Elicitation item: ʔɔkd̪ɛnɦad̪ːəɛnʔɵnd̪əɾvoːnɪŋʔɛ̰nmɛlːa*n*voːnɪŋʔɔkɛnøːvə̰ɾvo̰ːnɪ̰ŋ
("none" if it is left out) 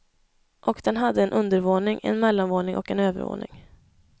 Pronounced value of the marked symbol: n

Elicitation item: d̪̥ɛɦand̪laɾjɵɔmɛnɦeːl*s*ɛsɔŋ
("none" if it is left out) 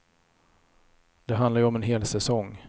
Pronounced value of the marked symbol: s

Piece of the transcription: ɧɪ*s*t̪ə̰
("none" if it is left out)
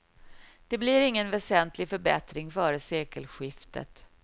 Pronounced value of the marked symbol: f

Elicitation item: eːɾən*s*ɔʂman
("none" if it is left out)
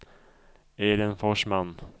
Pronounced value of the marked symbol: f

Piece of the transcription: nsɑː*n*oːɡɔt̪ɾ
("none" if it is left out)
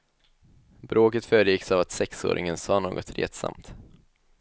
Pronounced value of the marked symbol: n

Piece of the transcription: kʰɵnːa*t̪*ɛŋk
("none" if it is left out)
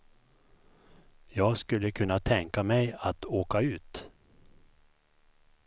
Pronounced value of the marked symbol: t̪ʰ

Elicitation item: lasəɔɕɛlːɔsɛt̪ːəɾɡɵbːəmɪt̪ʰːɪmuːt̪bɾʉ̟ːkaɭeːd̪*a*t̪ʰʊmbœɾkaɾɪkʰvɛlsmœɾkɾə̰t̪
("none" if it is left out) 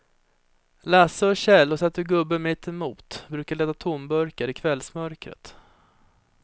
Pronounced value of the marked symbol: a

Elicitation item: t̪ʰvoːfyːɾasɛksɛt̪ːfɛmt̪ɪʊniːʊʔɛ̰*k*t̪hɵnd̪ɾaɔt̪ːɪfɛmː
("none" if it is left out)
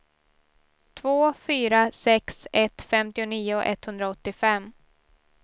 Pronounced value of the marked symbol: none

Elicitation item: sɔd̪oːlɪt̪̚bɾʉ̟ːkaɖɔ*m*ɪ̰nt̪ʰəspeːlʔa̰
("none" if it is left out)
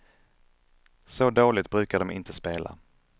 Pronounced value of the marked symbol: m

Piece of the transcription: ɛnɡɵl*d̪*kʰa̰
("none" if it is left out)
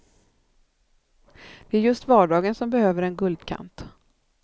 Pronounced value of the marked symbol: d̪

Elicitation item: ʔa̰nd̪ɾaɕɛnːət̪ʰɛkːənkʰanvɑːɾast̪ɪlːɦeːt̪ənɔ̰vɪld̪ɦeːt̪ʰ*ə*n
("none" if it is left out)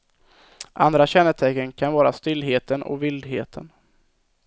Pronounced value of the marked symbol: ə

